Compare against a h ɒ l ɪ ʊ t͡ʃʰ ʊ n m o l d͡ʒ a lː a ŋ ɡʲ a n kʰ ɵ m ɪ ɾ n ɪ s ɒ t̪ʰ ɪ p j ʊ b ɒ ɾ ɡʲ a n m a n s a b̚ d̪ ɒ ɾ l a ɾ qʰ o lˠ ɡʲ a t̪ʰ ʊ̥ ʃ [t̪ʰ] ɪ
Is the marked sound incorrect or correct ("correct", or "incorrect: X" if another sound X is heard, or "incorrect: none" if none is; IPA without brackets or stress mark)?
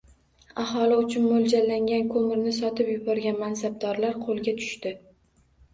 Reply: incorrect: t̪